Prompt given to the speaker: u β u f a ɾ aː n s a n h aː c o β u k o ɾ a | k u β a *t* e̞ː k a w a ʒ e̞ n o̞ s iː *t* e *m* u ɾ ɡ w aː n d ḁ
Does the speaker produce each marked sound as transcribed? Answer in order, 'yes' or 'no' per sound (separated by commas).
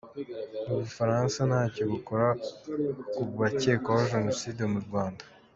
no, no, yes